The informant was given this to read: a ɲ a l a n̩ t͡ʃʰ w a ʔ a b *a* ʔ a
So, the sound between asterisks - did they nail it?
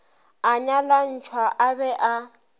no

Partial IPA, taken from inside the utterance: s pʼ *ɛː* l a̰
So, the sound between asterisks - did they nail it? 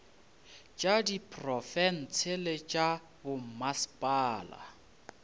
no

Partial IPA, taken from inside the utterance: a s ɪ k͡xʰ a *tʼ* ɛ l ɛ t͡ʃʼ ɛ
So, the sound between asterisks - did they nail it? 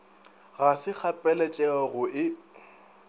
no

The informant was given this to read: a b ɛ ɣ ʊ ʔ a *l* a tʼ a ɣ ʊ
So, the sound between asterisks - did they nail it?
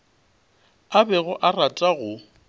no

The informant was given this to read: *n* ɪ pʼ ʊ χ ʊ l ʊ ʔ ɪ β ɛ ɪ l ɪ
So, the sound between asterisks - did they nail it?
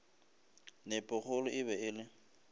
yes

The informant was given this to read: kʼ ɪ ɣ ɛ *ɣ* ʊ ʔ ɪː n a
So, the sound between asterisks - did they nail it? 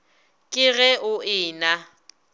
no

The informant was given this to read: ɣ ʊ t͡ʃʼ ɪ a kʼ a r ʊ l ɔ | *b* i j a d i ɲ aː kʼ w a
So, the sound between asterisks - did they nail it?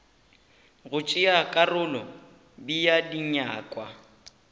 yes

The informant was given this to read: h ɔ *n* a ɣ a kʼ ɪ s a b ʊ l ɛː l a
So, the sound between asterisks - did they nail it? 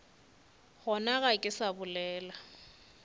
yes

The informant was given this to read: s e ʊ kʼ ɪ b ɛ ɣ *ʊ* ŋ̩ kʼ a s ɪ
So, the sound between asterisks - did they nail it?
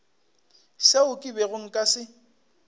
yes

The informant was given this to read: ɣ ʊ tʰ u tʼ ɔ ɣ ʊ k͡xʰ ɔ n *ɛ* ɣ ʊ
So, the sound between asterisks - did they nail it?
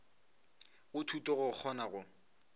no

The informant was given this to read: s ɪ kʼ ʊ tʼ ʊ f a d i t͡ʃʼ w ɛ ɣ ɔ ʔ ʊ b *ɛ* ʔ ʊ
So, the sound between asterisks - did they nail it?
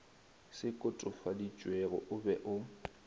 yes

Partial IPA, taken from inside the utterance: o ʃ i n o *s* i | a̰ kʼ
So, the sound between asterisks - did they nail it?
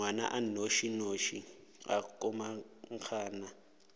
no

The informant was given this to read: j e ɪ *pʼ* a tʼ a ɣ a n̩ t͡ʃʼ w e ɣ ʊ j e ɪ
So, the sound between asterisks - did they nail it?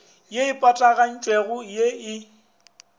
yes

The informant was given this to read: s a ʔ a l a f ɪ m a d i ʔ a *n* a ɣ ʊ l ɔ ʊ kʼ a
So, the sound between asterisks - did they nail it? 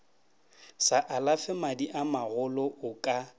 no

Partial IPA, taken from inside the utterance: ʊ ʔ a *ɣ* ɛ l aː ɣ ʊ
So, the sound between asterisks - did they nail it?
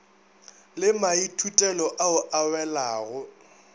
no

